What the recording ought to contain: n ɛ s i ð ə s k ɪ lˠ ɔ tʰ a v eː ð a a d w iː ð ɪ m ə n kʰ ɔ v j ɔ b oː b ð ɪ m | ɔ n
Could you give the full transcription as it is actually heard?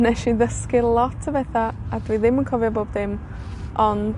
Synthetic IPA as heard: n ɛ ʃ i ð ə s k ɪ lˠ ɔ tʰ ə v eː θ a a d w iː ð ɪ m ə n kʰ ɔ v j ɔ b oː b ð ɪ m | ɔ n